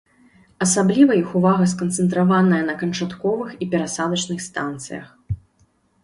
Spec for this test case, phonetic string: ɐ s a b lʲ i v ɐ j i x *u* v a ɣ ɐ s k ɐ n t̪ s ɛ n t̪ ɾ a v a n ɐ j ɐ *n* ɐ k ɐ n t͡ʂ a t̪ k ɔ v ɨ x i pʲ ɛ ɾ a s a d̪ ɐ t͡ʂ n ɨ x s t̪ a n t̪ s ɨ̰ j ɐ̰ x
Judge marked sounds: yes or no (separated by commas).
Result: yes, yes